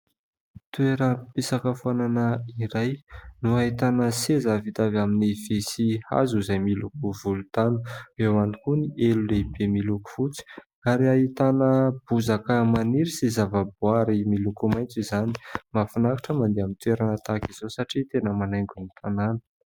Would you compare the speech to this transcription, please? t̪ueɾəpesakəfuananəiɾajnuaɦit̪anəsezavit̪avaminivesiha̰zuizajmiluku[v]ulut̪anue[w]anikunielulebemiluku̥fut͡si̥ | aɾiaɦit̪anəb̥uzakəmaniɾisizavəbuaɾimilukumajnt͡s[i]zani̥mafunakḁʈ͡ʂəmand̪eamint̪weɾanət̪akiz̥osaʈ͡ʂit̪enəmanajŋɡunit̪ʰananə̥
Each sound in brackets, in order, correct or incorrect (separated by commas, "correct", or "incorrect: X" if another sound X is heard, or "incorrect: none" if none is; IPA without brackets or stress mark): correct, correct, correct